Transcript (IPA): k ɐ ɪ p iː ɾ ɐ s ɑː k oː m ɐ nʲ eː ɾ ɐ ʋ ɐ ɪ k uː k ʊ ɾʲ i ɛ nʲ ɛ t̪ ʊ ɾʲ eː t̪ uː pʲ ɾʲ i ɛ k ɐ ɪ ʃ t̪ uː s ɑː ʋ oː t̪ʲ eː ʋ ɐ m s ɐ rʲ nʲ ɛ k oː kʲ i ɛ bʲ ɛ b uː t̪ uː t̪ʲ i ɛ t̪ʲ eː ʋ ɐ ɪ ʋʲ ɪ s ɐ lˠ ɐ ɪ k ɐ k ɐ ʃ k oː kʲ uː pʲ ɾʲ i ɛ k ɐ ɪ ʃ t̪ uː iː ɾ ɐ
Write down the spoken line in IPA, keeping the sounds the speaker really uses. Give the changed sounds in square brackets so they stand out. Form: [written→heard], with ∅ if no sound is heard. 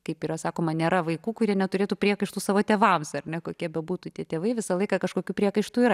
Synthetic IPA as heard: k ɐ ɪ p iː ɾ ɐ s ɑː k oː m ɐ nʲ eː ɾ ɐ ʋ ɐ ɪ k uː k ʊ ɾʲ i ɛ nʲ ɛ t̪ ʊ ɾʲ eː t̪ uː pʲ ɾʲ i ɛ k ɐ ɪ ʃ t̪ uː s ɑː ʋ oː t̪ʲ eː ʋ ɐ m s ɐ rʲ nʲ ɛ k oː kʲ i ɛ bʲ ɛ b uː t̪ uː t̪ʲ i ɛ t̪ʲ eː ʋ ɐ ɪ ʋʲ ɪ s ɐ lˠ ɐ ɪ k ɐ k ɐ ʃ k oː kʲ uː pʲ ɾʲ i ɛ k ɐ ɪ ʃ t̪ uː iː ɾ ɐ